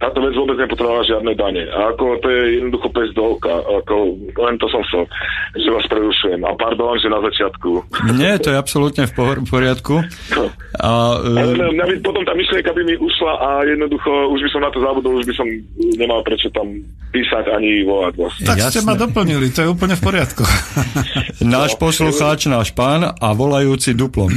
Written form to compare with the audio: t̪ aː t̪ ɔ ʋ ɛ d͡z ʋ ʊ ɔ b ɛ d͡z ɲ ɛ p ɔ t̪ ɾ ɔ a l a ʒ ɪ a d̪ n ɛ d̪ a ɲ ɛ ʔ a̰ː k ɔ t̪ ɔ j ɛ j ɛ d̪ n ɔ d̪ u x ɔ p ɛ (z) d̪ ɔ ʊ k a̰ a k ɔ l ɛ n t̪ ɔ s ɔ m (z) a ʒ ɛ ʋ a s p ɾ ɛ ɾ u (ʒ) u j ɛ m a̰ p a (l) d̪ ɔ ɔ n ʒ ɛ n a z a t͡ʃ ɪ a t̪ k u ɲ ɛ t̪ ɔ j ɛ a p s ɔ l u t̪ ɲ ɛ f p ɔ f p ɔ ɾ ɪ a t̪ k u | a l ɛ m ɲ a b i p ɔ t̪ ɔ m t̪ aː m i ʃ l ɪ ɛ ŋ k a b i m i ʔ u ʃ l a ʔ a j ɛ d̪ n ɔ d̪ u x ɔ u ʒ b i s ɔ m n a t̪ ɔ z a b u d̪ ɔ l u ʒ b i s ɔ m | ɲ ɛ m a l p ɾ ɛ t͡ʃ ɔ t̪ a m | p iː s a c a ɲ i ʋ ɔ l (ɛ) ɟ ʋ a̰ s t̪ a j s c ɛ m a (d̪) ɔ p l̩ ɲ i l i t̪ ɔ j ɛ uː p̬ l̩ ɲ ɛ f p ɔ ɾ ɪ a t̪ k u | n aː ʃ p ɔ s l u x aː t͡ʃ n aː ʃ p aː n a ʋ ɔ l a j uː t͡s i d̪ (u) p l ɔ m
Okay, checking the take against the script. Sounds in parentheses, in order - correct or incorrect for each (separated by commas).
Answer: correct, incorrect, incorrect, incorrect, incorrect, correct, correct